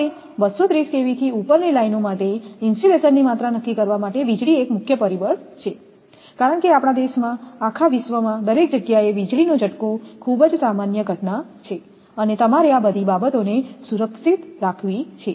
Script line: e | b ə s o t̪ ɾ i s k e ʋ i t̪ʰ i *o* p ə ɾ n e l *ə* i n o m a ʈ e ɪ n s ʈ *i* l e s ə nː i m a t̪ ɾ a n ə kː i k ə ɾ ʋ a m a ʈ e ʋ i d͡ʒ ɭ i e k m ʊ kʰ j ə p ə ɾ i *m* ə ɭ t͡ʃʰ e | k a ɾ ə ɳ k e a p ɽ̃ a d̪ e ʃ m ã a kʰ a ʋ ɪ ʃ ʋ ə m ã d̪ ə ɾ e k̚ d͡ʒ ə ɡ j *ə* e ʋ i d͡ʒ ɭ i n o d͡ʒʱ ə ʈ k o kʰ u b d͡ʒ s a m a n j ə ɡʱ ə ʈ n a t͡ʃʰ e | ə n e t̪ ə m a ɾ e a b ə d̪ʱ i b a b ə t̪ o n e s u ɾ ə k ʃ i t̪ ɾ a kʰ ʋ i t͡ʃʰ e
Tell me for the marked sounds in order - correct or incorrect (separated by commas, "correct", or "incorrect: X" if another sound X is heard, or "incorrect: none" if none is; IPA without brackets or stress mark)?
incorrect: u, incorrect: a, correct, incorrect: b, incorrect: a